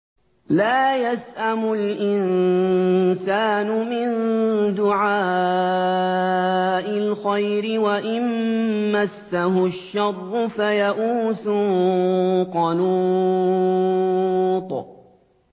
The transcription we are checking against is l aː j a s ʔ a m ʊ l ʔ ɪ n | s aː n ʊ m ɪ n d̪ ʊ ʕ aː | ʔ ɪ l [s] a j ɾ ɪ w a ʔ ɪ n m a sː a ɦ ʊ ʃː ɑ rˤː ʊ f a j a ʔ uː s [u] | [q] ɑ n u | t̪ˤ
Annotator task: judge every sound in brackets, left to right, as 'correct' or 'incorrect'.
incorrect: x, incorrect: ʊ, correct

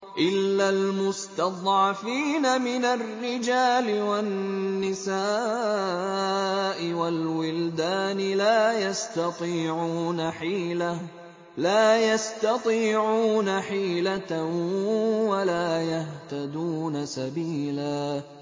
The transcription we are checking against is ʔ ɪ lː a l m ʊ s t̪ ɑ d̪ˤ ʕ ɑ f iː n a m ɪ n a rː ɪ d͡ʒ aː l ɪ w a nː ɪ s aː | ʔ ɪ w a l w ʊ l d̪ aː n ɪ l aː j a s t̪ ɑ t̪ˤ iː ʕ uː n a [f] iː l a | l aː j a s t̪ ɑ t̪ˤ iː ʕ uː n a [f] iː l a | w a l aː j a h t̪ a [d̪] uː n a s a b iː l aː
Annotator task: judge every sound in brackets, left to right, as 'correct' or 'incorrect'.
incorrect: ħ, incorrect: ħ, correct

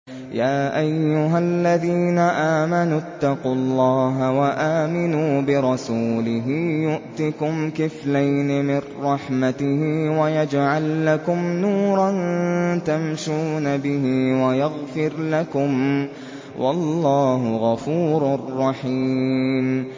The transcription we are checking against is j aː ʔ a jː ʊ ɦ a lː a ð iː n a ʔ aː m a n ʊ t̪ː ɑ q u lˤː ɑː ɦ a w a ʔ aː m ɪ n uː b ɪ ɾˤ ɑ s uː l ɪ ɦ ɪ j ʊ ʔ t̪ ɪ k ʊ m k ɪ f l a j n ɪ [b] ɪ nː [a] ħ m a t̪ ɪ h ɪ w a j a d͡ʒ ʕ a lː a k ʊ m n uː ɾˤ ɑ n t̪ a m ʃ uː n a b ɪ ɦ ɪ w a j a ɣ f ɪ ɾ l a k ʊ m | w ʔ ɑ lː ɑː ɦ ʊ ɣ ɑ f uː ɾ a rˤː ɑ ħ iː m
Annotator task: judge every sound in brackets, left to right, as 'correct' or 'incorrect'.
incorrect: m, incorrect: ɑ

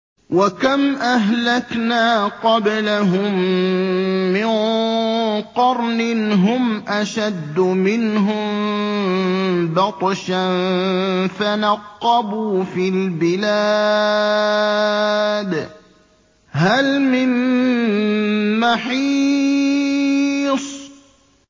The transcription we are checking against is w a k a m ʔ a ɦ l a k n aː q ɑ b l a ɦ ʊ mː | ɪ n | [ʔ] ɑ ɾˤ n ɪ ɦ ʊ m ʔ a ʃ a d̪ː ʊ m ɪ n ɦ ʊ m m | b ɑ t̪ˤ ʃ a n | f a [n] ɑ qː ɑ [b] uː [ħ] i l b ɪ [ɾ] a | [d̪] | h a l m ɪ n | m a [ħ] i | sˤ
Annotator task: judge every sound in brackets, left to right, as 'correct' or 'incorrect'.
incorrect: q, correct, correct, incorrect: f, incorrect: l, correct, correct

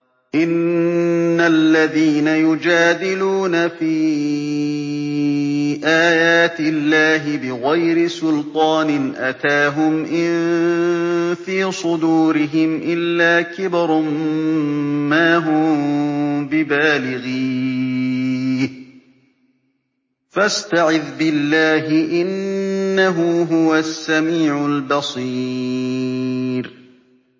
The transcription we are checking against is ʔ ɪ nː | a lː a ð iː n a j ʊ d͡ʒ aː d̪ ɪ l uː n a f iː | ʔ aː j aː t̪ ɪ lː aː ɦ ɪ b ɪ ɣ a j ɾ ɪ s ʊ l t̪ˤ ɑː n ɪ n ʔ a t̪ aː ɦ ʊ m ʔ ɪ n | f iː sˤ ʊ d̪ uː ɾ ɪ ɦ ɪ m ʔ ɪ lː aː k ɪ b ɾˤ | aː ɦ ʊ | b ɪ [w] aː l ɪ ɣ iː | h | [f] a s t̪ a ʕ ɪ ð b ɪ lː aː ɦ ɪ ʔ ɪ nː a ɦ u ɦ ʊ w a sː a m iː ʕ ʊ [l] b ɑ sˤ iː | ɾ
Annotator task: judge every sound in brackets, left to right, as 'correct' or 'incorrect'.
incorrect: b, correct, correct

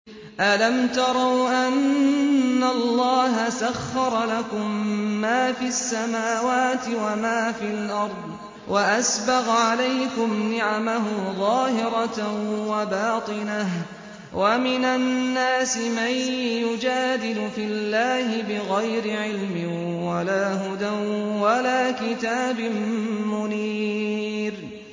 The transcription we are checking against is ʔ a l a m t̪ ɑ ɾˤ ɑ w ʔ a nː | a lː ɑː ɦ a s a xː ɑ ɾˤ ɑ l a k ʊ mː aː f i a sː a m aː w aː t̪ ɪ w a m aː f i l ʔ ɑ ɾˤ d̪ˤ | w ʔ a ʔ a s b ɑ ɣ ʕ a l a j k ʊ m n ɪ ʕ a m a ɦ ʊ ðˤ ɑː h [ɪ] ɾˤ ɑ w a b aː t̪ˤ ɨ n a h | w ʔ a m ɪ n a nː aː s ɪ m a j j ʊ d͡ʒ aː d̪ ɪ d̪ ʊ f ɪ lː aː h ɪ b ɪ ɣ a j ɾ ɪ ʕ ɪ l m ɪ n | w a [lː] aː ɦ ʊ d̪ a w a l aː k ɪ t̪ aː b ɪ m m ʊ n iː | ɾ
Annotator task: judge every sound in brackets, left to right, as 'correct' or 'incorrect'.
correct, incorrect: l

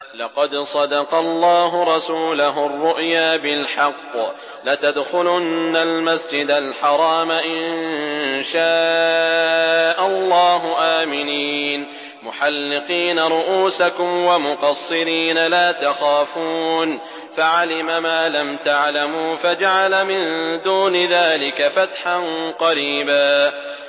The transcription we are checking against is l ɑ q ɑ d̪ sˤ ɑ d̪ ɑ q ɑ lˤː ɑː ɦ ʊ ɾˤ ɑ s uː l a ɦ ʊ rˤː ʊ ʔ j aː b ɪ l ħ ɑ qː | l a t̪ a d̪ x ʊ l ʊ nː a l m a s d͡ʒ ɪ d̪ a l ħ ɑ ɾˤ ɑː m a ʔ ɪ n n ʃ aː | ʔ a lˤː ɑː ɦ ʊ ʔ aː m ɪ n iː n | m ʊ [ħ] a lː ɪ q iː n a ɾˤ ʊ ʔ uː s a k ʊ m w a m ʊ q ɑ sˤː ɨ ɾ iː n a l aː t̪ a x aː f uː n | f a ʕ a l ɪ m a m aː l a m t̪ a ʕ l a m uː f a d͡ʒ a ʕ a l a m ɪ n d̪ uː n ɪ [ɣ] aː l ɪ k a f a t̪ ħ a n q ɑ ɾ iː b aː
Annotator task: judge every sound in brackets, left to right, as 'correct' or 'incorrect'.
correct, incorrect: ð

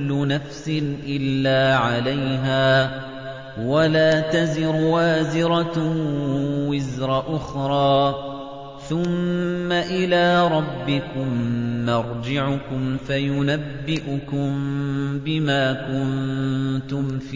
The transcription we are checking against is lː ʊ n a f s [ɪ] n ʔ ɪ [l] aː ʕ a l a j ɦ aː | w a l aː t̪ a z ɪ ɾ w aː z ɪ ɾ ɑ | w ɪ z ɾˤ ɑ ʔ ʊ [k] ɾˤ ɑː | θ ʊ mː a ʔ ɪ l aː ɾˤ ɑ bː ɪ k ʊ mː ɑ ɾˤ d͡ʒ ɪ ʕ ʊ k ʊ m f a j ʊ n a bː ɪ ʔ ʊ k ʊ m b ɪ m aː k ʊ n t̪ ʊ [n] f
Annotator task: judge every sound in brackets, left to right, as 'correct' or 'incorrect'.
correct, incorrect: lː, incorrect: x, incorrect: m

